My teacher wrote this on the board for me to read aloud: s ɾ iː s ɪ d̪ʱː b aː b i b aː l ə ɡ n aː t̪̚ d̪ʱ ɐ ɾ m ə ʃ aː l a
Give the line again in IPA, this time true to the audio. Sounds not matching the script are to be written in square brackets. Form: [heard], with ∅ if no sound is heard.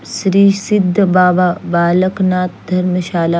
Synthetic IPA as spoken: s ɾ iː s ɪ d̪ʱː b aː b [a] b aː l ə [k] n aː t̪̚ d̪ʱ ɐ ɾ m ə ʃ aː l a